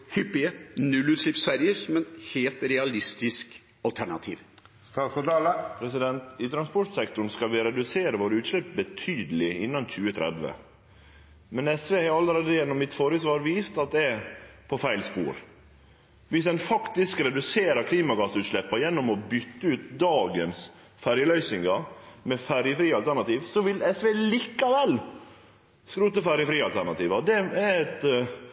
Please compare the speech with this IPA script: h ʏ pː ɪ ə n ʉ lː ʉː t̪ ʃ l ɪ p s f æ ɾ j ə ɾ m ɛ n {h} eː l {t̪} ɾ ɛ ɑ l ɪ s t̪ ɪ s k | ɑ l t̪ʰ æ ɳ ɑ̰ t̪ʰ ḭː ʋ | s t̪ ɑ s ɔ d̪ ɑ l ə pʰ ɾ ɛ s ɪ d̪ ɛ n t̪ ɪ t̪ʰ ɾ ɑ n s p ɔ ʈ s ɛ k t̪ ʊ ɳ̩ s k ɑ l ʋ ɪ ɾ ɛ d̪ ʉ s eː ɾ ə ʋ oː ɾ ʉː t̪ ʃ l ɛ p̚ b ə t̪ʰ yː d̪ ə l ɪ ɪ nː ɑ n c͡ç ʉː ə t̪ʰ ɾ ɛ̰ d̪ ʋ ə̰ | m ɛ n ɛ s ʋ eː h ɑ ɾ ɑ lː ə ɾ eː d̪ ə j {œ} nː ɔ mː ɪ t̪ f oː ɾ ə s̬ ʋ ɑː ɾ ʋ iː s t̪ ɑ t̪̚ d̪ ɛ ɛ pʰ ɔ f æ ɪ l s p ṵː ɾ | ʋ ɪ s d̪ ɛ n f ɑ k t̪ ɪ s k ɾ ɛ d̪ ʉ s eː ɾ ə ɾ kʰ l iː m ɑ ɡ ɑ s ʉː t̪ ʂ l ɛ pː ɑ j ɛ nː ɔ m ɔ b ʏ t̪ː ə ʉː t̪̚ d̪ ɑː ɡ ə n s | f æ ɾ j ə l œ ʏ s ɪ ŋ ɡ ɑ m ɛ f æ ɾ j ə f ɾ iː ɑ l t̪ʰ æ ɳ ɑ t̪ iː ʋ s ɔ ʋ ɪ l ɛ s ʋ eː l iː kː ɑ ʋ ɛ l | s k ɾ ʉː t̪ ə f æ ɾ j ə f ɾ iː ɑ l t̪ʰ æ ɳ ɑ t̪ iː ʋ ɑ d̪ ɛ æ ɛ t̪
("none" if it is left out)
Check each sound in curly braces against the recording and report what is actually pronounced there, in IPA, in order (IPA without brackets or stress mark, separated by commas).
h, t̪, ɛ